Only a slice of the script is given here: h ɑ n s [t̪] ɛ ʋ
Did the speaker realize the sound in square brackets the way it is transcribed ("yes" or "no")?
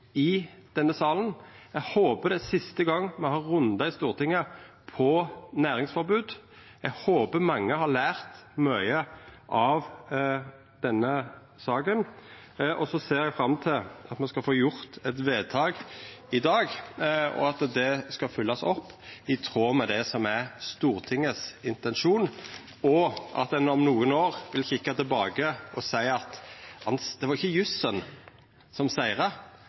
no